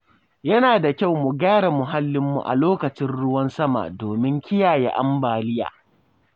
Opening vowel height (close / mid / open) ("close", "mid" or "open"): open